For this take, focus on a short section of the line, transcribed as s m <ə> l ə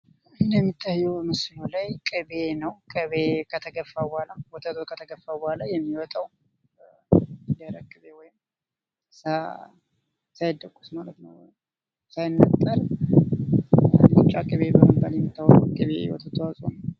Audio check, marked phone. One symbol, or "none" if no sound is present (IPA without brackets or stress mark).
a